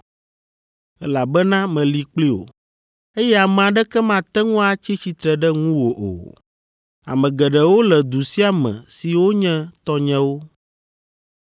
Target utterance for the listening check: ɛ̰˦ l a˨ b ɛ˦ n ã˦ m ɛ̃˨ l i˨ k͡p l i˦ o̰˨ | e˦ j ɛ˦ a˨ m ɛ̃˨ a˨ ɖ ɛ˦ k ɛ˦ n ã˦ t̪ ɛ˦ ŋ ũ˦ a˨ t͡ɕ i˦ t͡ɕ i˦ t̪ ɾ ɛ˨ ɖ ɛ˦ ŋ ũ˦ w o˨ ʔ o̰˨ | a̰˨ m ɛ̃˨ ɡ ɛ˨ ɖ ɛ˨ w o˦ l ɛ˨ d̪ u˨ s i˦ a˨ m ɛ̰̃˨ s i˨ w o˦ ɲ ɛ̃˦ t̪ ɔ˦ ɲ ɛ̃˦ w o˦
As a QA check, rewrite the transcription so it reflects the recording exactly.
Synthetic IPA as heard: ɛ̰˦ l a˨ b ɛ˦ n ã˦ m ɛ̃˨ l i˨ k͡p l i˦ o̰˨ | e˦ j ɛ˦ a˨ m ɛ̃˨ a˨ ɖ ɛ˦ k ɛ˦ m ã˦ t̪ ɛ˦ ŋ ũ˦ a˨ t͡ɕ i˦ t͡ɕ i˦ t̪ ɾ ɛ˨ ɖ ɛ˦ ŋ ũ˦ w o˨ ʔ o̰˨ | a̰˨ m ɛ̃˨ ɡ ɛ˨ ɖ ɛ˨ w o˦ l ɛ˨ d̪ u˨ s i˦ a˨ m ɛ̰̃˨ s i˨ w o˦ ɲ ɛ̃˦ t̪ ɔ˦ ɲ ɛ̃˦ w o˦